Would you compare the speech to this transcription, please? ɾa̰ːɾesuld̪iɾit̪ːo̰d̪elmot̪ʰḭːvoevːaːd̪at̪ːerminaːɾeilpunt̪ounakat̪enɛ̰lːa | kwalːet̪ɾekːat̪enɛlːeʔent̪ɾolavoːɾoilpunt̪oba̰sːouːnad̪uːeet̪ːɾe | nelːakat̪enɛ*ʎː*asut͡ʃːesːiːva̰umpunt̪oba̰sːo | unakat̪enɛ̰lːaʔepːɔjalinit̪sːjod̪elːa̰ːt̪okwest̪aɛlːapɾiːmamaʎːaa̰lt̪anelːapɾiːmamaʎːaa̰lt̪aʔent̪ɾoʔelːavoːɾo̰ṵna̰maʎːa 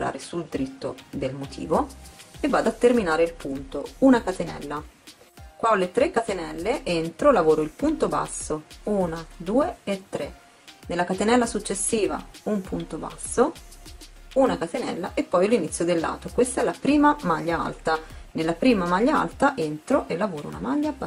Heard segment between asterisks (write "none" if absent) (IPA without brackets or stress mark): lː